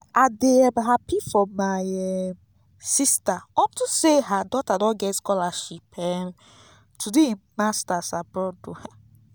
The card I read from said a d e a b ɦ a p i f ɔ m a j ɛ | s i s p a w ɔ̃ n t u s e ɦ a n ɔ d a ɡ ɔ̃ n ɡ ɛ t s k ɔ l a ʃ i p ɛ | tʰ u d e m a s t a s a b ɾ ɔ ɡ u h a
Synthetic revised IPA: a d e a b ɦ a p i f ɔ m a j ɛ | s i s t a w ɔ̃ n t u s e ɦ a d ɔ t a d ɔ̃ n ɡ ɛ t s k ɔ l a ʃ i p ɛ | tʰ u d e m a s t a s a b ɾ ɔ d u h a